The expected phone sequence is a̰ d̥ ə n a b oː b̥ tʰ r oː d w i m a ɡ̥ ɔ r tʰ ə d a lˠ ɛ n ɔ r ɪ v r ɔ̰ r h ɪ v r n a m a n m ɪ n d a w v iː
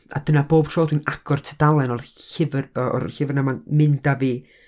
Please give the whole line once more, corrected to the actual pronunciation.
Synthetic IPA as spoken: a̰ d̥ ə n a b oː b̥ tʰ r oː d w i n a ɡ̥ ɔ r tʰ ə d a lˠ ɛ n ɔ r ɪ v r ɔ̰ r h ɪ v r n a m a n m ɪ n d a v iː